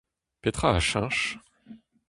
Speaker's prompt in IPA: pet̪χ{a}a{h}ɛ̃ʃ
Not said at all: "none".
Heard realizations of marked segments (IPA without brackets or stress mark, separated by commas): a, ʃ